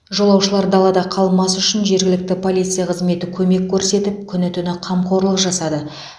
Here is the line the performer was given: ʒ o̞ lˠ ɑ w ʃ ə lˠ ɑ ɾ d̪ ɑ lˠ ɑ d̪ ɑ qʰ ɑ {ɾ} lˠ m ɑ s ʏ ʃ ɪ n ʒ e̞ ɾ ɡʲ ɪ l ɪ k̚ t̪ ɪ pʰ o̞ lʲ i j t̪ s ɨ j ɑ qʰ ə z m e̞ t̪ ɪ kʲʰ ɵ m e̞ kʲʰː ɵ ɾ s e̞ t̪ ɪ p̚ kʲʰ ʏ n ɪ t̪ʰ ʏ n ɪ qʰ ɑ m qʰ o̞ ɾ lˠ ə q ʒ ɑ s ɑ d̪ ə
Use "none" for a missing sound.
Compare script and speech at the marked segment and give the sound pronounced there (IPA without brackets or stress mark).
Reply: none